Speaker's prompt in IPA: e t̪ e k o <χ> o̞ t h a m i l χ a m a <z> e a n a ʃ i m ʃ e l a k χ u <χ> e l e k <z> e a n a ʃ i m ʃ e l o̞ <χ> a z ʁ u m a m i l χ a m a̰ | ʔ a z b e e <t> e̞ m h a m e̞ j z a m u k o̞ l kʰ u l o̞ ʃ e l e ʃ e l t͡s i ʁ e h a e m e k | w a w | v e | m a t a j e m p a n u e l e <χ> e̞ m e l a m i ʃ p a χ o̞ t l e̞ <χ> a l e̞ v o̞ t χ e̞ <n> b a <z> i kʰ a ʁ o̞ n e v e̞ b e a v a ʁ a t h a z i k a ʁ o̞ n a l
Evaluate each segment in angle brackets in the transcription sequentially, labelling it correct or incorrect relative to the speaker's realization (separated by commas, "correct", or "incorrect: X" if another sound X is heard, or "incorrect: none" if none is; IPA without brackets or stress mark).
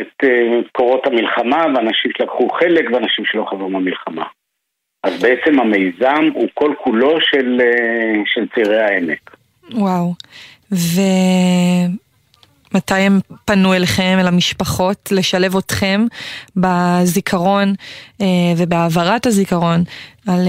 incorrect: ʁ, incorrect: v, correct, incorrect: v, correct, incorrect: t͡s, correct, incorrect: ʃ, incorrect: m, correct